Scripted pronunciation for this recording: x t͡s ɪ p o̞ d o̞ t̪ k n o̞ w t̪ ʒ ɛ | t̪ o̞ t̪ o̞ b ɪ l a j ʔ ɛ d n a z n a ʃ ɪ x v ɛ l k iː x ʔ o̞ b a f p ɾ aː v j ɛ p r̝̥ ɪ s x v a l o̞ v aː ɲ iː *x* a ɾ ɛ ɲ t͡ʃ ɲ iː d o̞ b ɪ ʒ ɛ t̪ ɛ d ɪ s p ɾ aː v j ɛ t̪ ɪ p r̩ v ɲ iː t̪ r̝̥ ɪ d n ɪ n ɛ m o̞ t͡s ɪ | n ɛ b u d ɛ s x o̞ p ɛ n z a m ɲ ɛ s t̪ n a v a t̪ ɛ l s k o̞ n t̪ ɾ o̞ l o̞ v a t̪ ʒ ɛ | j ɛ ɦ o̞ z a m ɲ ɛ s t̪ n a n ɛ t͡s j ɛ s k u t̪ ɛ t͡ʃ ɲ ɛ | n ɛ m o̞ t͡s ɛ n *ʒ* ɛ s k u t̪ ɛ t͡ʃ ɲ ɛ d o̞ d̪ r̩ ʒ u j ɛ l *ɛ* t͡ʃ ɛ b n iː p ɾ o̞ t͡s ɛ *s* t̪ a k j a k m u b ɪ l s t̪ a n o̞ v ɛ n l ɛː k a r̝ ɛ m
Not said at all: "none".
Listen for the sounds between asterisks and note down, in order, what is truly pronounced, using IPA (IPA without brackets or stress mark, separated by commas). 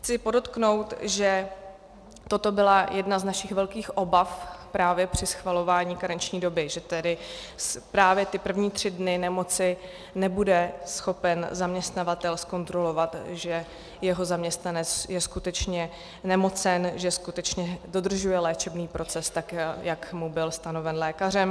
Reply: k, ʒ, ɛː, s